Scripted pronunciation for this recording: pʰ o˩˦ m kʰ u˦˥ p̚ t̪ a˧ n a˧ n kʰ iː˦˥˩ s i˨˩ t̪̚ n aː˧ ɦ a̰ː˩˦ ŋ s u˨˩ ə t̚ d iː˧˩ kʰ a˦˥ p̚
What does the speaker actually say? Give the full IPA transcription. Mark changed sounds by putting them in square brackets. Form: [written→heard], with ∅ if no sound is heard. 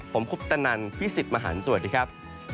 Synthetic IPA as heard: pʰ o˩˦ m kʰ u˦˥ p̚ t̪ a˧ n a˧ n [kʰ→pʰ] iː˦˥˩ s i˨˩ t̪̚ [n→m] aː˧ ɦ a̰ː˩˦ [ŋ→n] s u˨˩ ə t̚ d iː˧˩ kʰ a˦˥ p̚